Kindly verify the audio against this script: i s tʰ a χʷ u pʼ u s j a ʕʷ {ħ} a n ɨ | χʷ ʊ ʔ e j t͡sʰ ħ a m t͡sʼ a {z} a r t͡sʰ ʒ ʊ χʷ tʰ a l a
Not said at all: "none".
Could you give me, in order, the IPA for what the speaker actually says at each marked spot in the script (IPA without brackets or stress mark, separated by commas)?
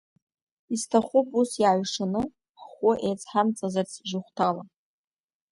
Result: ʂ, z